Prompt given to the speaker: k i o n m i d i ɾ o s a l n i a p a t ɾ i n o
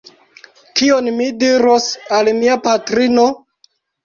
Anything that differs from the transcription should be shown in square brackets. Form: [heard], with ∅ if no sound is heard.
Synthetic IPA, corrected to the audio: k i o n m i d i ɾ o s a l [m] i a p a t ɾ i n o